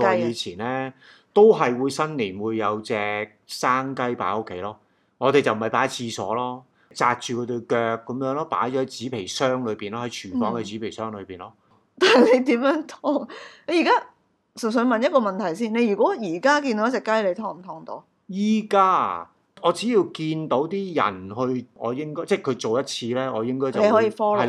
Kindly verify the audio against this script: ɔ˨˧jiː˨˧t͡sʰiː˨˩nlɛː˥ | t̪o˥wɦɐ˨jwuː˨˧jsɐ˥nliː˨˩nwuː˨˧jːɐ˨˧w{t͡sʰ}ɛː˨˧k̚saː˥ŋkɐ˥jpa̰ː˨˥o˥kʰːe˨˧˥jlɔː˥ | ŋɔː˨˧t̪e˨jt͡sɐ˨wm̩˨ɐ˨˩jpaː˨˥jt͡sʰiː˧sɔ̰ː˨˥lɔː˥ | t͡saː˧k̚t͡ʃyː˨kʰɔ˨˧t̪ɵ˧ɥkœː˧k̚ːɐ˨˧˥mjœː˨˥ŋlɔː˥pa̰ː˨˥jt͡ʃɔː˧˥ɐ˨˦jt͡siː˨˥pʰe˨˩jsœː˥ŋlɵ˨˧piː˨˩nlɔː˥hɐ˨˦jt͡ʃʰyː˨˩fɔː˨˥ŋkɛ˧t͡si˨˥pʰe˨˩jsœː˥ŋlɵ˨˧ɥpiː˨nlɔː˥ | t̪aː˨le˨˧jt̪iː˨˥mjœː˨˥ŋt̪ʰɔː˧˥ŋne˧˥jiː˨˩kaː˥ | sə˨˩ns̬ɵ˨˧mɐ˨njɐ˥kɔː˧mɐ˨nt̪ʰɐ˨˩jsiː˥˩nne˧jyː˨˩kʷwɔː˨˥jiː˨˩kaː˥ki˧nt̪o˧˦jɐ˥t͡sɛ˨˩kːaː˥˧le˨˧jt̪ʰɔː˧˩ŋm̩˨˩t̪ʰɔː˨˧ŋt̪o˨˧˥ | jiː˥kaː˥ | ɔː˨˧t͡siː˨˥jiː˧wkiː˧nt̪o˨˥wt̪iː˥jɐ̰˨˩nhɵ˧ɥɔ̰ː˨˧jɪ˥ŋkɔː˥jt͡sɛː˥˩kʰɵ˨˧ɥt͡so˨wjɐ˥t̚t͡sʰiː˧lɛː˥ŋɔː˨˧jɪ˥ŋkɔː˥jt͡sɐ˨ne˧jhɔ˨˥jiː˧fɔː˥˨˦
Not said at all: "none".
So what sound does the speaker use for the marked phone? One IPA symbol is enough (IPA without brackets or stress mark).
t͡s